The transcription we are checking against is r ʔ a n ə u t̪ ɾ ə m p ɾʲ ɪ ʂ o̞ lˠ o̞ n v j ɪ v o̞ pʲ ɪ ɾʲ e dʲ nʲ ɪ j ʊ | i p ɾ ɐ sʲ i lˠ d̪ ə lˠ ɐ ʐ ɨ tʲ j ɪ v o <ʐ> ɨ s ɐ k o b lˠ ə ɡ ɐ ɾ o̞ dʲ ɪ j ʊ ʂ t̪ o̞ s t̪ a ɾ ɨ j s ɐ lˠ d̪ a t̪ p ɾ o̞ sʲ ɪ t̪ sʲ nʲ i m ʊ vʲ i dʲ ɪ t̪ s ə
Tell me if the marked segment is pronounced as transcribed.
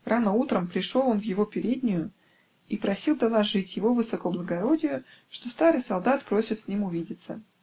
no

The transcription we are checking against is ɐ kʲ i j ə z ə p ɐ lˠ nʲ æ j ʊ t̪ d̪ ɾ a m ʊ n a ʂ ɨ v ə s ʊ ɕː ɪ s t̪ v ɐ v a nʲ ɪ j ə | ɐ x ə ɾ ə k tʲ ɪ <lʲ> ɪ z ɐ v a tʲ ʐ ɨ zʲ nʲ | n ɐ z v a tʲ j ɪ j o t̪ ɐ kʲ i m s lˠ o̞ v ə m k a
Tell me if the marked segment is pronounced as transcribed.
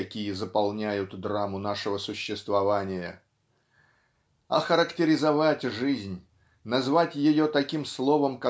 no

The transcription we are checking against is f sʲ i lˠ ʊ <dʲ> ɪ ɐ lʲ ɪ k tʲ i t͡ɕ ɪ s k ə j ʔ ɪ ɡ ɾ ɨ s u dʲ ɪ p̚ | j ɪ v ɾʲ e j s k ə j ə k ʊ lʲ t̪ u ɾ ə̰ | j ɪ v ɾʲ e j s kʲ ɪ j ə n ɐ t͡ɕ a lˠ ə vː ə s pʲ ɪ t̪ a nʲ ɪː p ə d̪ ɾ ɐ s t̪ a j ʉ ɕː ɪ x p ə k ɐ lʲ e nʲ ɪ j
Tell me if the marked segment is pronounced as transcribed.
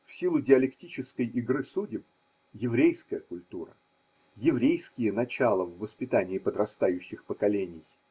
yes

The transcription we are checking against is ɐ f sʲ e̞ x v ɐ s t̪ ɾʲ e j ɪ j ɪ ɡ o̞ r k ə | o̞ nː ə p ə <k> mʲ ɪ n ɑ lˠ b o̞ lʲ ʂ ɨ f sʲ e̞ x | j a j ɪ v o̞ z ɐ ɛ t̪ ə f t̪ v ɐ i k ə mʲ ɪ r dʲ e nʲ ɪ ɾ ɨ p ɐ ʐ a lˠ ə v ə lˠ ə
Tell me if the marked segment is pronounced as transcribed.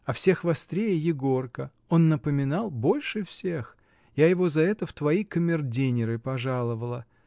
no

